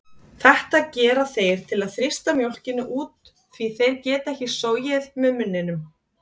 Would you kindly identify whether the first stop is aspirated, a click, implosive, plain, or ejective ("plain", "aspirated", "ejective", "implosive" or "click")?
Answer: plain